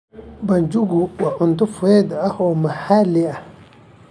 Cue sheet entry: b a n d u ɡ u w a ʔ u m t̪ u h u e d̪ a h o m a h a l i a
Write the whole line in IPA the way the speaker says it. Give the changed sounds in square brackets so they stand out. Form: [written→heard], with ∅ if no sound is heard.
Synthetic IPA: b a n [d→d͡ʒ] u ɡ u w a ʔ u [m→n] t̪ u [h→f] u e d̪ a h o m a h a l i a